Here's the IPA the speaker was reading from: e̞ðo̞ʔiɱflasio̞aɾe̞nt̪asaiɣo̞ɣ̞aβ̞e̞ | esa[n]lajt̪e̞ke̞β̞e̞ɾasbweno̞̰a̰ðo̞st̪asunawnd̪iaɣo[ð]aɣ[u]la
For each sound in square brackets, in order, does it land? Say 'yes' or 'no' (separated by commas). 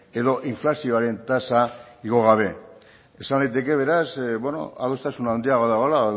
yes, yes, no